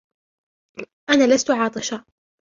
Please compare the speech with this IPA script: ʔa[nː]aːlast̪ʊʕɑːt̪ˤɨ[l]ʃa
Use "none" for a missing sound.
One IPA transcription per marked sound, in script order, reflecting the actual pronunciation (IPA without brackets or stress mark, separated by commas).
n, none